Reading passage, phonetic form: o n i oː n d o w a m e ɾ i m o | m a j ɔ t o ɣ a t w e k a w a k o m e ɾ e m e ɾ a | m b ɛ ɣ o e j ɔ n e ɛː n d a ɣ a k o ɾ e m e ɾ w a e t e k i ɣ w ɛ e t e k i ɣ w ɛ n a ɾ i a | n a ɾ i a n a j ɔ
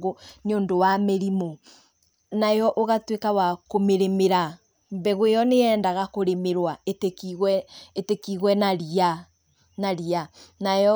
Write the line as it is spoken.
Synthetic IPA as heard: o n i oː n d o w a m e ɾ i m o | n a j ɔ ʔ o ɣ a t w e k a w a k o m e ɾ e m e ɾ a | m b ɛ ɣ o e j ɔ n e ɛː n d a ɣ a k o ɾ e m e ɾ w a e t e k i ɣ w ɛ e t e k i ɣ w ɛ n a ɾ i a | n a ɾ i a n a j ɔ